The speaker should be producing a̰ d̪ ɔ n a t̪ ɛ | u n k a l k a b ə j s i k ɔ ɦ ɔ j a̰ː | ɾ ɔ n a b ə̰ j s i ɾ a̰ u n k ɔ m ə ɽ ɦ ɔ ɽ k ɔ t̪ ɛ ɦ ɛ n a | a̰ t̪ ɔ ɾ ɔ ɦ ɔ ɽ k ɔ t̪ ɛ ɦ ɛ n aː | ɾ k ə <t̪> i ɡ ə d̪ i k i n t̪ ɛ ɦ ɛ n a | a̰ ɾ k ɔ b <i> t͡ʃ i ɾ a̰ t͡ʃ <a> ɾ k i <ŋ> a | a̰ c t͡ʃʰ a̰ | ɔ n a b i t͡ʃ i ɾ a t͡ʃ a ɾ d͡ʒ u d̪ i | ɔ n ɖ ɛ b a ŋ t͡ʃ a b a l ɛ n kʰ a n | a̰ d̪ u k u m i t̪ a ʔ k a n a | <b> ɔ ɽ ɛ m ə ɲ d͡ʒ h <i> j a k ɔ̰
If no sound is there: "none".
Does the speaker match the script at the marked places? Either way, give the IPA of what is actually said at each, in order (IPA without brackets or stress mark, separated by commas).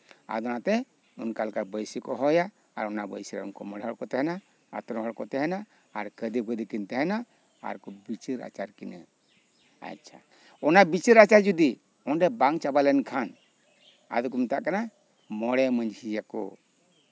d̪, i, a, n, m, i